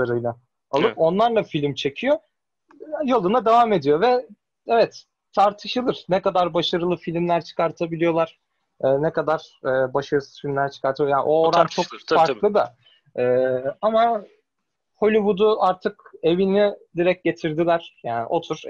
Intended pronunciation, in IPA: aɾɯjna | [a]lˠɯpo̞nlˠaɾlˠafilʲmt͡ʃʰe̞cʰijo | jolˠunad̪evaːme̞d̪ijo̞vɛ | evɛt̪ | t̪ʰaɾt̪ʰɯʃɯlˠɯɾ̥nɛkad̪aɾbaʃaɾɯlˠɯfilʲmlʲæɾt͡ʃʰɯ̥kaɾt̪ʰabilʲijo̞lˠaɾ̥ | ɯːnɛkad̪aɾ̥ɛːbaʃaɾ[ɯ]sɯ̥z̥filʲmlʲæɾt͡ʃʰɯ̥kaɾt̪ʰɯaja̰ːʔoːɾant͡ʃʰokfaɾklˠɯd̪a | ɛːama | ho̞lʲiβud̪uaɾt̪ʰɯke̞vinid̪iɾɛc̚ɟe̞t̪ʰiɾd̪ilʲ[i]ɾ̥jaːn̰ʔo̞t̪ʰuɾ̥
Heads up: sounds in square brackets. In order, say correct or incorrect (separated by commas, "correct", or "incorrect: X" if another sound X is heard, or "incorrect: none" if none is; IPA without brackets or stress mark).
correct, correct, incorrect: æ